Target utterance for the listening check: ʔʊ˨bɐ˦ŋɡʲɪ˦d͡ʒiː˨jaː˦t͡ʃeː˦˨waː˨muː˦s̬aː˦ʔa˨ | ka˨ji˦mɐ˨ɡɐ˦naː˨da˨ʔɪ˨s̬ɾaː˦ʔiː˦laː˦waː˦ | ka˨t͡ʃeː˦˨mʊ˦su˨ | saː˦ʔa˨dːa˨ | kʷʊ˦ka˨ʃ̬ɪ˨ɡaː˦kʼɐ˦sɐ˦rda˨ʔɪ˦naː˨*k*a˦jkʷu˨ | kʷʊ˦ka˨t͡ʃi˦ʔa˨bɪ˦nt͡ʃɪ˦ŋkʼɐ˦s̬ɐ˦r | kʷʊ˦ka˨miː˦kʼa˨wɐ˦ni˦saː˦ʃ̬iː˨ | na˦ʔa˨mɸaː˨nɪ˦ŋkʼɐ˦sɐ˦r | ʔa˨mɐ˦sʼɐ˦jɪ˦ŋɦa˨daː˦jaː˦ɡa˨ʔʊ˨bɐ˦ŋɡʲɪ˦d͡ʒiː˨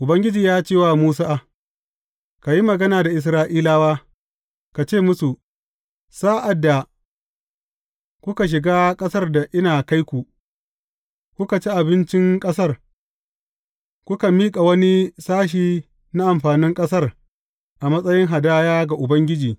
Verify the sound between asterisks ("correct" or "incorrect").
correct